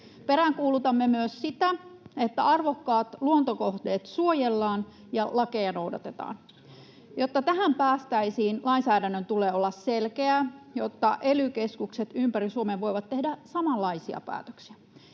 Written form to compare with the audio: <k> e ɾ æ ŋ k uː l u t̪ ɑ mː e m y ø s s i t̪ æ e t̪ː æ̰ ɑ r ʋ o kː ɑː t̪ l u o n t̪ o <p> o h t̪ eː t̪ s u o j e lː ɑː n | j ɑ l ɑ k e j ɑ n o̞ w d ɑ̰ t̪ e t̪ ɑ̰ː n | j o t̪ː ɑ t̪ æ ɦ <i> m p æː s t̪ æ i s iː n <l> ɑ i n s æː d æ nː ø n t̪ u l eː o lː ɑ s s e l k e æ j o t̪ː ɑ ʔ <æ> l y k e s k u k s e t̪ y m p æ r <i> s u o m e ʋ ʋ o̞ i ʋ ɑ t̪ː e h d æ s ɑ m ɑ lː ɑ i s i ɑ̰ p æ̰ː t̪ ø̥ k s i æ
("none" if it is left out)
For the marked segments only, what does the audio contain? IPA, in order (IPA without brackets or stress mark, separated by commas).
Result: p, k, æ, l, e, i